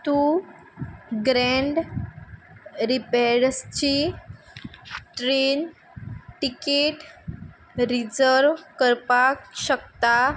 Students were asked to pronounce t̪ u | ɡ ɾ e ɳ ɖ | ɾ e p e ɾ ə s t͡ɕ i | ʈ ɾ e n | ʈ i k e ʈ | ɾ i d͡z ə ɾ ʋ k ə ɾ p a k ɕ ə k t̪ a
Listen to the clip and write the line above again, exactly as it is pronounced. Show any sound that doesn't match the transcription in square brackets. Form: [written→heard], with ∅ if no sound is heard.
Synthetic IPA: t̪ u | ɡ ɾ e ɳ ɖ | ɾ [e→i] p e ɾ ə s t͡ɕ i | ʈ ɾ e n | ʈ i k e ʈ | ɾ i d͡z ə ɾ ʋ k ə ɾ p a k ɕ ə k t̪ a